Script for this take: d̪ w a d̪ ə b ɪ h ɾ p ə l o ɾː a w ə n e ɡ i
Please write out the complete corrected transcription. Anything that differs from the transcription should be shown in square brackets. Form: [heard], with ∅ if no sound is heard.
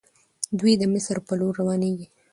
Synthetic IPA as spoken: d̪ w [i] d̪ ə [m] ɪ [s] ɾ p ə l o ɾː a w [ɑ] n e ɡ i